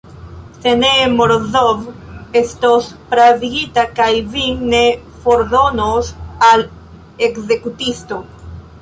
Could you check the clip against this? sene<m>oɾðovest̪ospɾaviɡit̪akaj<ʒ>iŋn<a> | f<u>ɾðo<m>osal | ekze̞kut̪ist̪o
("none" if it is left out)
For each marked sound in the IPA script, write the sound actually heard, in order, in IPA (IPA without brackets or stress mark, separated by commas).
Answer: m, v, e, o, n